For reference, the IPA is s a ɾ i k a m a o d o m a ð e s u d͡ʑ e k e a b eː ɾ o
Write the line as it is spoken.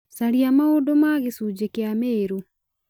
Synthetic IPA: s a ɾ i a m a o d o m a ɣ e s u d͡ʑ e k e a m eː ɾ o